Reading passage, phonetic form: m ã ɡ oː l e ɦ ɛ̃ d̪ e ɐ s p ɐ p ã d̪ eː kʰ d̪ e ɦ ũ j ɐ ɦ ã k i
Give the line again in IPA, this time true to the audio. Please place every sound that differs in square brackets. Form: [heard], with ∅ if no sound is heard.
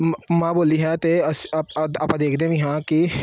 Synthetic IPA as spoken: m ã [b] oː l [i] ɦ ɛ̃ [t̪] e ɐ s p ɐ p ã d̪ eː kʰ d̪ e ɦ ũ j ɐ ɦ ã k i

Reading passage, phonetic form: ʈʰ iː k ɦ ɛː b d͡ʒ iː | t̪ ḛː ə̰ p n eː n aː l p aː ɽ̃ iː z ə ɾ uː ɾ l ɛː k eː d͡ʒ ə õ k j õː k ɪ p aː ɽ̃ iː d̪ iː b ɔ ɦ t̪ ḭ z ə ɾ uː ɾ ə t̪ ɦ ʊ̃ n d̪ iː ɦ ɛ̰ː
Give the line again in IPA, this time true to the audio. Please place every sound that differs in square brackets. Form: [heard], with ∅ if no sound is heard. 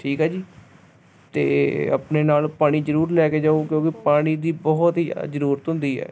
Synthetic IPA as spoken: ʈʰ iː k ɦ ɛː [∅] d͡ʒ iː | t̪ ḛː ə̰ p n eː n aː l p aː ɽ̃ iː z ə ɾ uː ɾ l ɛː k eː d͡ʒ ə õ k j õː k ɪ p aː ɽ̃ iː d̪ iː b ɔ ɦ t̪ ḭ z ə ɾ uː ɾ ə t̪ ɦ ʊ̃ n d̪ iː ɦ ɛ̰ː

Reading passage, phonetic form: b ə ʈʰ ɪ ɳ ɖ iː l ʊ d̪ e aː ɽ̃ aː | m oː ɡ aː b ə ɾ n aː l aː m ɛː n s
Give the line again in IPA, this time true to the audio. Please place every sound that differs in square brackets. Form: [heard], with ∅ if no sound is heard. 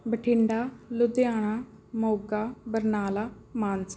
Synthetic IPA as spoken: b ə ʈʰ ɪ ɳ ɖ [aː] l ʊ d̪ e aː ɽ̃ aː | m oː ɡ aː b ə ɾ n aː l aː m [aː] n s

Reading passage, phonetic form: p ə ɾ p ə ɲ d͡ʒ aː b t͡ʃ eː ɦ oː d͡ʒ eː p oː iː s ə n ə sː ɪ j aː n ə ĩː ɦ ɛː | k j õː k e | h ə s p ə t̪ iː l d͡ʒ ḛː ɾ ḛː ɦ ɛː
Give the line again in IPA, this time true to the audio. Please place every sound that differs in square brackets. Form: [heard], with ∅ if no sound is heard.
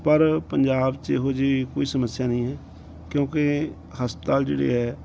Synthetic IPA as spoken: p ə ɾ p ə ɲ d͡ʒ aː b t͡ʃ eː ɦ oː d͡ʒ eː [k] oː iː s ə [m] ə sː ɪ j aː n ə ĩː ɦ ɛː | k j õː k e | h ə s p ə t̪ [aː] l d͡ʒ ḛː [ɽ] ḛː ɦ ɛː

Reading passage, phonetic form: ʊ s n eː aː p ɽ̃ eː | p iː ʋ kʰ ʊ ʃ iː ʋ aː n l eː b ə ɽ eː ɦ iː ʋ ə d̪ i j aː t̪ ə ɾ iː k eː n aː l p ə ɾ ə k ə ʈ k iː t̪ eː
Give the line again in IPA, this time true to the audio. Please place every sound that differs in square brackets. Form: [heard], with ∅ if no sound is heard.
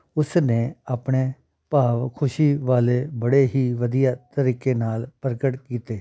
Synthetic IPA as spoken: ʊ s n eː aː p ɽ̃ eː | p [aː] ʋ kʰ ʊ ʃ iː ʋ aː [∅] l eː b ə ɽ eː ɦ iː ʋ ə d̪ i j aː t̪ ə ɾ iː k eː n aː l p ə ɾ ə k ə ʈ k iː t̪ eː

